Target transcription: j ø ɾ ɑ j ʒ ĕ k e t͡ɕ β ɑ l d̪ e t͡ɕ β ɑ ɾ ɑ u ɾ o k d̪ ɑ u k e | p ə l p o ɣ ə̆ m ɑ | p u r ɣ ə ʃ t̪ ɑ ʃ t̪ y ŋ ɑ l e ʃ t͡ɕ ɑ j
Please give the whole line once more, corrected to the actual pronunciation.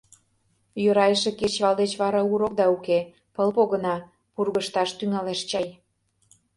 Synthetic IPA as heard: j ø ɾ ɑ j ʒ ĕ k e t͡ɕ β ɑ l d̪ e t͡ɕ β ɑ ɾ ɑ u ɾ o k d̪ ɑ u k e | p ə l p o ɣ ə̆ n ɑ | p u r ɣ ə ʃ t̪ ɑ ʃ t̪ y ŋ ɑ l e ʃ t͡ɕ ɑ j